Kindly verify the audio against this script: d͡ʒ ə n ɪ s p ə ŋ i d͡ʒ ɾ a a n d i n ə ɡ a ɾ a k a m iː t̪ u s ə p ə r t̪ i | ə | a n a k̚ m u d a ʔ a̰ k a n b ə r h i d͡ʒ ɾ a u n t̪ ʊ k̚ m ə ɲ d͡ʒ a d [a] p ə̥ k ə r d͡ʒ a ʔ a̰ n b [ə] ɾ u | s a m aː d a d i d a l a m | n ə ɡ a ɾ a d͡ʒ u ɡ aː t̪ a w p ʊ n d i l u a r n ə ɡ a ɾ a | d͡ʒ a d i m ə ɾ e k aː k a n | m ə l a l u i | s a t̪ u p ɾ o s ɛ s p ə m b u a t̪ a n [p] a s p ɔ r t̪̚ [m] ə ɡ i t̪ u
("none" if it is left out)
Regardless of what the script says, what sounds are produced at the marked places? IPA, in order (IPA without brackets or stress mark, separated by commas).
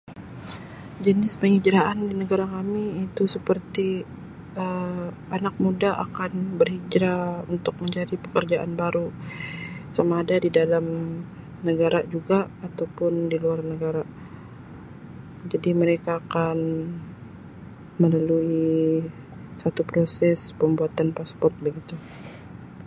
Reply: i, a, p, b